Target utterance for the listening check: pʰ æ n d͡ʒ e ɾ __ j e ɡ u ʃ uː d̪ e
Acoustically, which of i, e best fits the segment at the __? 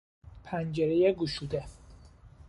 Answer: e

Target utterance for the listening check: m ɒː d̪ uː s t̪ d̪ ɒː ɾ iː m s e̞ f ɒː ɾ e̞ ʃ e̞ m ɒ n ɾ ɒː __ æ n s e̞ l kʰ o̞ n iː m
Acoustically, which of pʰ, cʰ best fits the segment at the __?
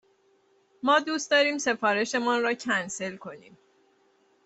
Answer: cʰ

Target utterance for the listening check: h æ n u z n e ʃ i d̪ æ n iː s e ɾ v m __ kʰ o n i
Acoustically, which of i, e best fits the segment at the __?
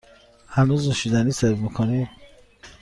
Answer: i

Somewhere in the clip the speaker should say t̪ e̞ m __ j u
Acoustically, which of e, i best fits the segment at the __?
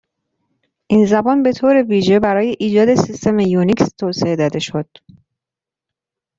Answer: e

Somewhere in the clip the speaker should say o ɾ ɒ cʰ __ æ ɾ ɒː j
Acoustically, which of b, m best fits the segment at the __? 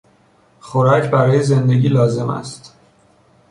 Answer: b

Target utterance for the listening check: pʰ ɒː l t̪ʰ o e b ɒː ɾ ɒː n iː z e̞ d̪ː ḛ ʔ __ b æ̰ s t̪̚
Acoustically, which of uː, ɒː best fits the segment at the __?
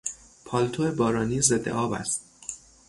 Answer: ɒː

